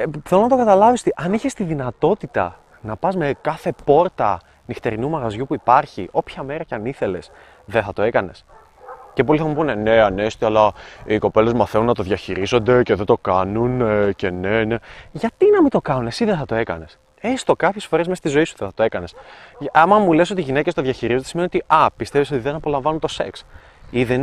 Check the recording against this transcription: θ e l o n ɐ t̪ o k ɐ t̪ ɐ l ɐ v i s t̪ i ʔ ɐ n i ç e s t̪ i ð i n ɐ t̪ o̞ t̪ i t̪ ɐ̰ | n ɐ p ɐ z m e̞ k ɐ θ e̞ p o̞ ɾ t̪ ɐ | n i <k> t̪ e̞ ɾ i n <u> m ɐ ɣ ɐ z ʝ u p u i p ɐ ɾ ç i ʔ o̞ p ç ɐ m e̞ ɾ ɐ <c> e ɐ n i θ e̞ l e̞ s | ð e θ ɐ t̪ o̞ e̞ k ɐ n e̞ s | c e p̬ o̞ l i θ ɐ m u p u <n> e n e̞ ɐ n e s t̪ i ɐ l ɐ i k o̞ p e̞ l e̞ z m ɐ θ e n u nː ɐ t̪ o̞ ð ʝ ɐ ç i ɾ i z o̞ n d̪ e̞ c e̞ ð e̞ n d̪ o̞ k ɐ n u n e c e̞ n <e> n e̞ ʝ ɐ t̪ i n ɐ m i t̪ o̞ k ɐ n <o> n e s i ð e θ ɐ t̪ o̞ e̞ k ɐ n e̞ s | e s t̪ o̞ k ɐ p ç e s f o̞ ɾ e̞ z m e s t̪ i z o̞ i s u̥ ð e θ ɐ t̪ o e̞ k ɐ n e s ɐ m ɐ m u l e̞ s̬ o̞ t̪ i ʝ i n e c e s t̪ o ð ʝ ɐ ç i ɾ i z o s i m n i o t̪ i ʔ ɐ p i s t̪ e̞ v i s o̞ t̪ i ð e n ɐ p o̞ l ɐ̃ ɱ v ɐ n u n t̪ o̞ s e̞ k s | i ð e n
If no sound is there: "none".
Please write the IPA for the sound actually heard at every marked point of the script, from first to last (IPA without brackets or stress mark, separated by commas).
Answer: x, u, c, n, e, u